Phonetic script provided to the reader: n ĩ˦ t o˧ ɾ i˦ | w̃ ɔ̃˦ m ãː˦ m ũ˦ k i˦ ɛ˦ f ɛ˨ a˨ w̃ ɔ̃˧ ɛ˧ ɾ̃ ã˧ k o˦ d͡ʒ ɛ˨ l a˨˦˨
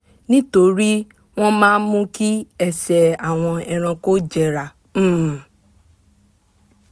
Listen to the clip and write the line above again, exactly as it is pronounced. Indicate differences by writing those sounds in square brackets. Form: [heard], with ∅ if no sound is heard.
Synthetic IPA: n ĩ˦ t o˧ ɾ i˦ | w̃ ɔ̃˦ m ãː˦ m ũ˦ k i˦ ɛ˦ [s] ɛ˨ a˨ w̃ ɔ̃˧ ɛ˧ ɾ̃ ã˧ k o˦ d͡ʒ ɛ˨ [ɾ] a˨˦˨